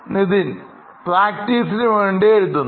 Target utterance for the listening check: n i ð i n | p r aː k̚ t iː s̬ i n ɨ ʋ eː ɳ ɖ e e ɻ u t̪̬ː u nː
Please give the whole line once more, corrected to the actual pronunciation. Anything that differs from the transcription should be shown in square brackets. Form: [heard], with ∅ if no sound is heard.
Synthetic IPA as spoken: n i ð i n | p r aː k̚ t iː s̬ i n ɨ ʋ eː ɳ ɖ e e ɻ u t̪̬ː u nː